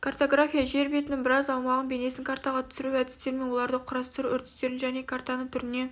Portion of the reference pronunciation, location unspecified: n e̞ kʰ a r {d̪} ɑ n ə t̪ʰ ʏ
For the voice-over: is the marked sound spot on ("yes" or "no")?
no